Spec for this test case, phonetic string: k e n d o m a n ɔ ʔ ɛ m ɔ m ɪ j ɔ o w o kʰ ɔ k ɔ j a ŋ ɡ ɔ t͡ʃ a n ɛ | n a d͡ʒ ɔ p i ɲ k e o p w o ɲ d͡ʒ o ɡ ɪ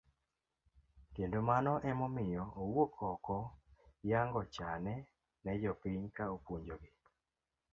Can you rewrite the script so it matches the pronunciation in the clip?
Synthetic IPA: k e n d o m a n ɔ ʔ ɛ m ɔ m ɪ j ɔ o w o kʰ ɔ k ɔ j a ŋ ɡ ɔ t͡ʃ a n ɛ | n ɛ d͡ʒ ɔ p i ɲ k a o p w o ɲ d͡ʒ o ɡ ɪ